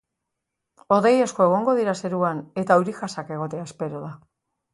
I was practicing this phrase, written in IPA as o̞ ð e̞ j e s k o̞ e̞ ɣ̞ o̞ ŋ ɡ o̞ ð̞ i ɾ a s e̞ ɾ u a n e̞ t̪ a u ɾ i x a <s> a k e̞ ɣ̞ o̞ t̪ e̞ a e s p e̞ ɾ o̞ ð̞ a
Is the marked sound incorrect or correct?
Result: correct